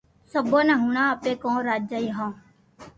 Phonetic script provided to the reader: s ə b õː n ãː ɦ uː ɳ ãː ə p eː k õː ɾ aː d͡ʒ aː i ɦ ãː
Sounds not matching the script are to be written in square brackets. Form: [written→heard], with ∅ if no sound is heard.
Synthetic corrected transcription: s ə b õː n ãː ɦ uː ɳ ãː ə p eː k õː ɾ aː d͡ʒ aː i ɦ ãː